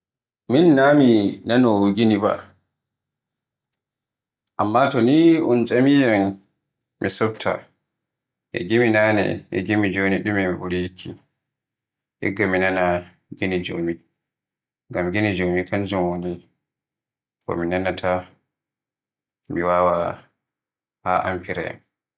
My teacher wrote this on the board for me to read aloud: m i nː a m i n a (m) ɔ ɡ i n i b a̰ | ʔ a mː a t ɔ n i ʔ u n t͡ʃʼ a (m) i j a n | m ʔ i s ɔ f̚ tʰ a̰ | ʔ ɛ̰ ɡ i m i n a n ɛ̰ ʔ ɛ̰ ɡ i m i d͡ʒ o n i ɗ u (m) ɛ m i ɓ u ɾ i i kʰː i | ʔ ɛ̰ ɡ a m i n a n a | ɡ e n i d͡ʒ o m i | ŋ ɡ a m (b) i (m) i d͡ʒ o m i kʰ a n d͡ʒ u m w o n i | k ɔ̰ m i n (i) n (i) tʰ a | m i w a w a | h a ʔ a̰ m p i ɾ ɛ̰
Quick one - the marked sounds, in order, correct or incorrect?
incorrect, correct, correct, incorrect, incorrect, incorrect, incorrect

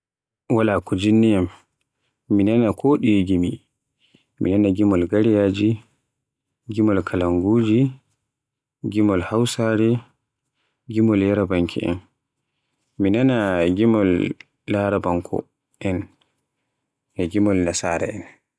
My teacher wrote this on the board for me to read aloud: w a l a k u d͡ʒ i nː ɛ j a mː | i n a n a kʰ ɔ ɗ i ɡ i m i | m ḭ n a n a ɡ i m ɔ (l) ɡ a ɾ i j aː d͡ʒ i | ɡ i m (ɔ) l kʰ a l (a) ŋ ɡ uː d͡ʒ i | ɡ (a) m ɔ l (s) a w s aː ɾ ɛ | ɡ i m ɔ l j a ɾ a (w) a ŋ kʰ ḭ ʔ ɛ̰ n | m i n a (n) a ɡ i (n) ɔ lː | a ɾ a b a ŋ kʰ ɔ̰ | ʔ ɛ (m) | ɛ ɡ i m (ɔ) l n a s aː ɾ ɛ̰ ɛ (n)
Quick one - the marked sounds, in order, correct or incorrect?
correct, correct, correct, incorrect, incorrect, incorrect, correct, incorrect, incorrect, correct, correct

